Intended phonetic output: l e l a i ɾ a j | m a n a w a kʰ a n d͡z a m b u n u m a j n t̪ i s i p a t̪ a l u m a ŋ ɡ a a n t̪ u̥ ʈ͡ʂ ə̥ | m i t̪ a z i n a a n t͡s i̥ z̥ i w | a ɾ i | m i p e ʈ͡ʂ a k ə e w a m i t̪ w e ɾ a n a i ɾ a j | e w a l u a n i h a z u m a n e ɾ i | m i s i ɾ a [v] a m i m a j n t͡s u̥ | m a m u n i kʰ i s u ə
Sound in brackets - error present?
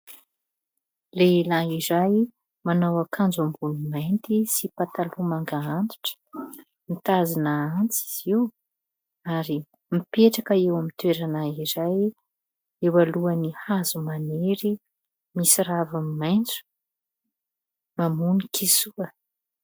no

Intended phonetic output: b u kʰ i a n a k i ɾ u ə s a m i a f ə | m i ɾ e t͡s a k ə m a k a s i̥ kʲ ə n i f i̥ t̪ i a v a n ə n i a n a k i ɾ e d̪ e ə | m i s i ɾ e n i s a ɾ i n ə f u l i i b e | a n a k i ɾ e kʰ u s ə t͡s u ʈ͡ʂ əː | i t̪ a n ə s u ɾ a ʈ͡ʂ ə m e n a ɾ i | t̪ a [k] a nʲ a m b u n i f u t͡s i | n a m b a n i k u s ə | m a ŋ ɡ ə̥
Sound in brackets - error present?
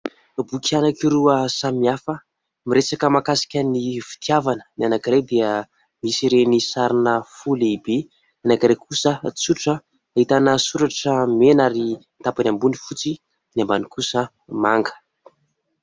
yes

